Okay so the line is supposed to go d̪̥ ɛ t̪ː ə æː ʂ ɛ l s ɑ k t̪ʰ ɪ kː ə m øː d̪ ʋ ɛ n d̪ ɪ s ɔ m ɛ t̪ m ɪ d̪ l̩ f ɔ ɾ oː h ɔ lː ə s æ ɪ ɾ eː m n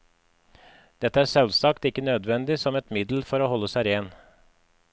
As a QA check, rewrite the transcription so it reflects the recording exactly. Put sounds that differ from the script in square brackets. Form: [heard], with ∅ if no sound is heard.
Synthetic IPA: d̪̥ ɛ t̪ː ə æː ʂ ɛ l s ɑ k [t̪] ɪ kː ə [n] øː d̪ ʋ ɛ n d̪ ɪ s ɔ m ɛ t̪ m ɪ d̪ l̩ f ɔ ɾ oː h ɔ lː ə s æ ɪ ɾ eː [∅] n